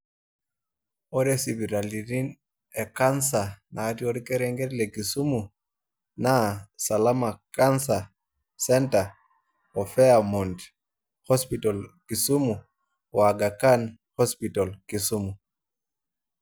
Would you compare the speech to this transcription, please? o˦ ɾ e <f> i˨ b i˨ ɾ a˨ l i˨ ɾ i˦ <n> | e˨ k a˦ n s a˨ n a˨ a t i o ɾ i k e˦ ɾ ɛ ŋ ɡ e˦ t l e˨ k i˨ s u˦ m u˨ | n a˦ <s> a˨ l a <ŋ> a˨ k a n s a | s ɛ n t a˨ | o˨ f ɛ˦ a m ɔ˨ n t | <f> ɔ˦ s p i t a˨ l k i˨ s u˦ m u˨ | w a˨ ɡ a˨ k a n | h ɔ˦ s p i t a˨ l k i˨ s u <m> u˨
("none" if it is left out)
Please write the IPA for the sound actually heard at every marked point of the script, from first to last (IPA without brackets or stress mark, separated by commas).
s, n, s, m, h, m